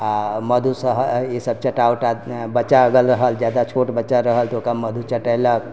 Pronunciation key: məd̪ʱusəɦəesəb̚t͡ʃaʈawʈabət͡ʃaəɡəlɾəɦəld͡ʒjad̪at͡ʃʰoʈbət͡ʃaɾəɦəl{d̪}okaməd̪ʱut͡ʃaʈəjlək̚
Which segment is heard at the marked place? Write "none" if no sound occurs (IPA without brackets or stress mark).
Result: t̪